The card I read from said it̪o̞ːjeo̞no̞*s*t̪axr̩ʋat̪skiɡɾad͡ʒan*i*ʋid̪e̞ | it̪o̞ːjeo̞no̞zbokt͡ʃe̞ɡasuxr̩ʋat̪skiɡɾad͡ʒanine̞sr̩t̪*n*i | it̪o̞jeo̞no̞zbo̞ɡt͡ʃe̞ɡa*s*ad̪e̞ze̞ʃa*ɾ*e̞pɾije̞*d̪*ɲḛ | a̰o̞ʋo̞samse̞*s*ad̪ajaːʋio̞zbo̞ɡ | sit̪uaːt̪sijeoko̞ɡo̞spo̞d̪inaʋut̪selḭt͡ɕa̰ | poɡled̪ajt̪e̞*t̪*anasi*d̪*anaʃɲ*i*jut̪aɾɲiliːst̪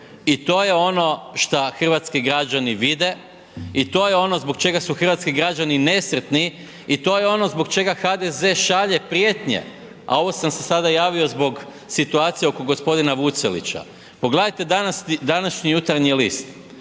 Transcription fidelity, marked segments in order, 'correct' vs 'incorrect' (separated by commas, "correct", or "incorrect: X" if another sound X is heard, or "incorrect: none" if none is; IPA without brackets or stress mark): incorrect: ʃ, correct, correct, incorrect: x, incorrect: ʎ, incorrect: t̪, correct, incorrect: d̪, correct, correct